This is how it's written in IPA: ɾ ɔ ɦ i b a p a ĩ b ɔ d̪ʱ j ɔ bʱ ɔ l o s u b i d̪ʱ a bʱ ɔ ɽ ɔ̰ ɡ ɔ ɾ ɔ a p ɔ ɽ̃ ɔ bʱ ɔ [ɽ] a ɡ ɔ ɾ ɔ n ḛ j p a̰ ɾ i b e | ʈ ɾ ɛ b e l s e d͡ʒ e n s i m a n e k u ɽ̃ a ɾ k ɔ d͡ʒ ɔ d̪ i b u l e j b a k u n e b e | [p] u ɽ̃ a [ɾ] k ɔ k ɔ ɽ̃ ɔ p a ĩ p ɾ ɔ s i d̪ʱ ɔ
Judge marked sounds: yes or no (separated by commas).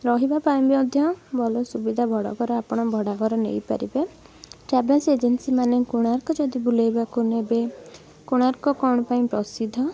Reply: yes, no, yes